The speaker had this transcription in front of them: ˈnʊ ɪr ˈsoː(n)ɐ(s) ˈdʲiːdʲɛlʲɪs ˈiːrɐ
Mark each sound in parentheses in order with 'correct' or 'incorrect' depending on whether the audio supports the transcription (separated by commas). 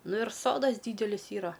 incorrect, correct